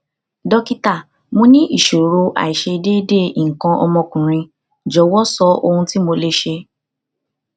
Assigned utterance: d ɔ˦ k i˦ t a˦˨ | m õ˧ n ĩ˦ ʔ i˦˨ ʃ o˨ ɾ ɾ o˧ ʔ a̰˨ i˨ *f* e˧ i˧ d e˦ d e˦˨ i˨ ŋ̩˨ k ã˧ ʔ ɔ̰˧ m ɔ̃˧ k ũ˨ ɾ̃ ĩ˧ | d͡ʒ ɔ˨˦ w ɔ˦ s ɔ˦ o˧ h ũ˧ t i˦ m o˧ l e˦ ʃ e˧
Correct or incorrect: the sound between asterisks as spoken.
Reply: incorrect: ʃ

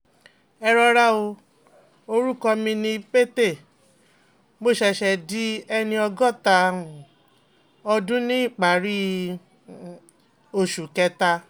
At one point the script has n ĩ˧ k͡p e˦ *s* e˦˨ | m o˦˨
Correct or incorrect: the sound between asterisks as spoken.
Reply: incorrect: t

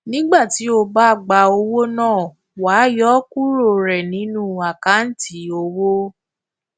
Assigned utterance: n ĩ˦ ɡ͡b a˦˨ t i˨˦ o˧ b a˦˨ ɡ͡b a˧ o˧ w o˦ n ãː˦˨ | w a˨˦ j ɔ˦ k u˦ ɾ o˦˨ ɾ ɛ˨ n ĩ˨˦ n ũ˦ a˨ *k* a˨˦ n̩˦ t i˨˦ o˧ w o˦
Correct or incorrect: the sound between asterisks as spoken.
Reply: correct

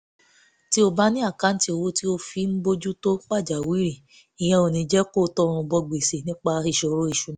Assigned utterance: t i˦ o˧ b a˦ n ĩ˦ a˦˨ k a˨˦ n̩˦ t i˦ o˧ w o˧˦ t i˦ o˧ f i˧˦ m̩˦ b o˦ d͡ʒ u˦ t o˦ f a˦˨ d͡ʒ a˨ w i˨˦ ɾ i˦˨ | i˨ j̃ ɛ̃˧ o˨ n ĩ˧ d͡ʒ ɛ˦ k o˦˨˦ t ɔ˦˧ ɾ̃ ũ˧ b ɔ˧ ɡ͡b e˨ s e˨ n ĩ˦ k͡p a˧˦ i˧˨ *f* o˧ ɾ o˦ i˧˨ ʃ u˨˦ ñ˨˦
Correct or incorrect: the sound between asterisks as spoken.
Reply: incorrect: ʃ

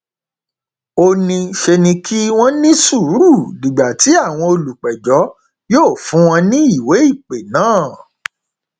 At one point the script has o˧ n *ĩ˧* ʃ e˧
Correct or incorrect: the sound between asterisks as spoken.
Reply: correct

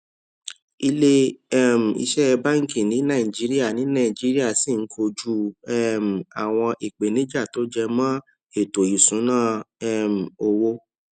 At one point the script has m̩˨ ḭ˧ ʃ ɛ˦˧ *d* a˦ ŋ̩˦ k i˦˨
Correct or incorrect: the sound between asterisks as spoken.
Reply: incorrect: b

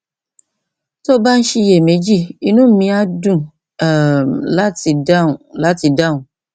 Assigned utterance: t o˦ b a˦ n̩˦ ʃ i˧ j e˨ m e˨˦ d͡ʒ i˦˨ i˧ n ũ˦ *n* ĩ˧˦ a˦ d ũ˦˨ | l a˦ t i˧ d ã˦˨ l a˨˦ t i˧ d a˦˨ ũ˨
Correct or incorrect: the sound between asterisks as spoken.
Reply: incorrect: m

